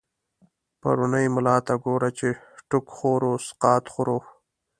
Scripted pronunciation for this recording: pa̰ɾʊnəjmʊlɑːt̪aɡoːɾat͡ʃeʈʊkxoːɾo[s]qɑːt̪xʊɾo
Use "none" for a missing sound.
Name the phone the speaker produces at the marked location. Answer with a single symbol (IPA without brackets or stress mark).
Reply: s